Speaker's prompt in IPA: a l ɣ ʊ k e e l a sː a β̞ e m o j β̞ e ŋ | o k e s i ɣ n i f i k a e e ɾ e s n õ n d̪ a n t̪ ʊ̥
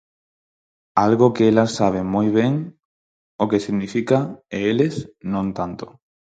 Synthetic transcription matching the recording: a l ɣ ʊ k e e l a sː a β̞ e m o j β̞ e ŋ | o k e s i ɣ n i f i k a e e l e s n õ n t̪ a n t̪ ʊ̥